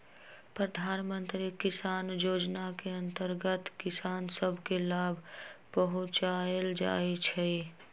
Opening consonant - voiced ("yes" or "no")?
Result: no